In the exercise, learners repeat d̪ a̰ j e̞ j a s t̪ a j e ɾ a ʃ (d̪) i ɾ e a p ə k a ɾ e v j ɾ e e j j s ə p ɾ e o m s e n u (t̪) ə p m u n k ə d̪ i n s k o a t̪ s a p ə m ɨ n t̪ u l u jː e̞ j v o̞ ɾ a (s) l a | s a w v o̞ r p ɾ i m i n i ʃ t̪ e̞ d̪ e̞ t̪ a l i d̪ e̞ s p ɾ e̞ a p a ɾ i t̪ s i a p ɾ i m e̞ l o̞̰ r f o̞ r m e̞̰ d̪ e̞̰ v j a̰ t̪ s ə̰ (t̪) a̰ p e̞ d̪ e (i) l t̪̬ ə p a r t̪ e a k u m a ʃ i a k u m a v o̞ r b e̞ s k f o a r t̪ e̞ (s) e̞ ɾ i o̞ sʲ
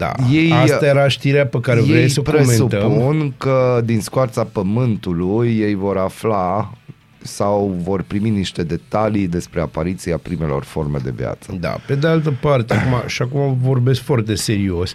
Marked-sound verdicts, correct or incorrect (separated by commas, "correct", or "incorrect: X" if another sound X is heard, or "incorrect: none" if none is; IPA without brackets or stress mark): incorrect: t̪, correct, incorrect: f, incorrect: d̪, incorrect: a, correct